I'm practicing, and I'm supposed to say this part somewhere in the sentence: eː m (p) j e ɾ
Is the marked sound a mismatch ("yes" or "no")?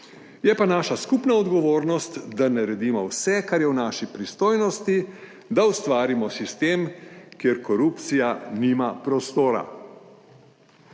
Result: yes